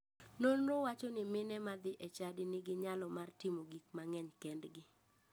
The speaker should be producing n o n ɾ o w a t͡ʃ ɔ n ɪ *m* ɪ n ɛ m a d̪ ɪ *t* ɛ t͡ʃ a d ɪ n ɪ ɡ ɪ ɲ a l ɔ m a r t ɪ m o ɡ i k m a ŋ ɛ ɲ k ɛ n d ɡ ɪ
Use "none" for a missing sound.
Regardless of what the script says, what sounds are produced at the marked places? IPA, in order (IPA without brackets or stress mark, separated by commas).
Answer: m, ʔ